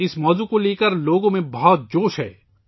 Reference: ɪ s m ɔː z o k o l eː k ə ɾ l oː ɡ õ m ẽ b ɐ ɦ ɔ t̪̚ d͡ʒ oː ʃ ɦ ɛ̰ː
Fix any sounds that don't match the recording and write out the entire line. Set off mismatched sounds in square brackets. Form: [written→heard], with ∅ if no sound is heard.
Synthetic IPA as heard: ɪ s m ɔː z [o→u] k o l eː k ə ɾ l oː ɡ õ m ẽ b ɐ ɦ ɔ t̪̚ d͡ʒ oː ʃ ɦ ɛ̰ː